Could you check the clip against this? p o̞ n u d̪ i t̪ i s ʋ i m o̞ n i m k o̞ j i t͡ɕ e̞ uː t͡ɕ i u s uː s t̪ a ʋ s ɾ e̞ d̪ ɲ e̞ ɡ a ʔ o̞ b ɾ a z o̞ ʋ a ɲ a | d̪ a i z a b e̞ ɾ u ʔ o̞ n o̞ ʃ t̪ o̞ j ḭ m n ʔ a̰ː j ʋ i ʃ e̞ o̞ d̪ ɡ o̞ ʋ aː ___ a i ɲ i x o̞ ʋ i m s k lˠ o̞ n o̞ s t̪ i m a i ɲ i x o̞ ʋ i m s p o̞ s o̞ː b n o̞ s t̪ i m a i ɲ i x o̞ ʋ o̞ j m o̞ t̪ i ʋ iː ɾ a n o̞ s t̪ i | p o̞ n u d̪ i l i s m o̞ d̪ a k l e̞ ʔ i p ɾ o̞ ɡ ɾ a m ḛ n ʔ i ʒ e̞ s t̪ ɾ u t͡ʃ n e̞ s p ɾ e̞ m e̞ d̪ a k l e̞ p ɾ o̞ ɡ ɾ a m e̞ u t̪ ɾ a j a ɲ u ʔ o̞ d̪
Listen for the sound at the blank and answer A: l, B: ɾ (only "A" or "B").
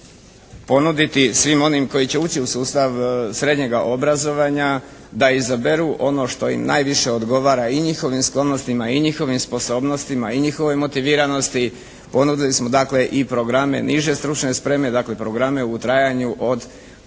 B